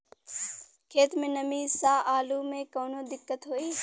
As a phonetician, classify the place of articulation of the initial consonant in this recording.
velar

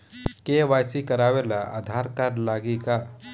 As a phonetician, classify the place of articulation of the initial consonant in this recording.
velar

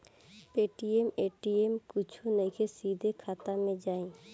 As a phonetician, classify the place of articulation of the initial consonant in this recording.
labial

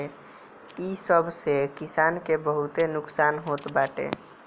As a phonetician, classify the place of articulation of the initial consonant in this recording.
alveolar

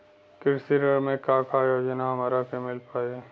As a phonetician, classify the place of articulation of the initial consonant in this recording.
velar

